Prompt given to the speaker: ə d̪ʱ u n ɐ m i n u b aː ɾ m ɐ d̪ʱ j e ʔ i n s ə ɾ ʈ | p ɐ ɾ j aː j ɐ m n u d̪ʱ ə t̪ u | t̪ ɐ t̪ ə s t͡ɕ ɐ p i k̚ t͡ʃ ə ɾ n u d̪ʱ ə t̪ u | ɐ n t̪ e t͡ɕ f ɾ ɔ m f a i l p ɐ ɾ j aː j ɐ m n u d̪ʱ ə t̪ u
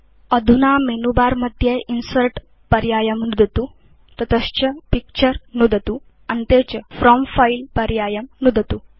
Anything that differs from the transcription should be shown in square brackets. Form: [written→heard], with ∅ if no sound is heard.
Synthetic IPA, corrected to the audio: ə d̪ʱ u n [ɐ→a] m [i→e] n u b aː ɾ m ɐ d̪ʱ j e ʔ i n s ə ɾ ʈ | p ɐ ɾ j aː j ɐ m n u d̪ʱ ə t̪ u | t̪ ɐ t̪ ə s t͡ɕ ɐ p i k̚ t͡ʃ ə ɾ n u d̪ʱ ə t̪ u | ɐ n t̪ e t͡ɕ f ɾ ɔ m f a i l p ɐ ɾ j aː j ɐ m n u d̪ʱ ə t̪ u